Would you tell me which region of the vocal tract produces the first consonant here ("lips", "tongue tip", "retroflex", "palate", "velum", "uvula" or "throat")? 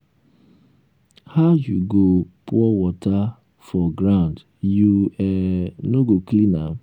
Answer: throat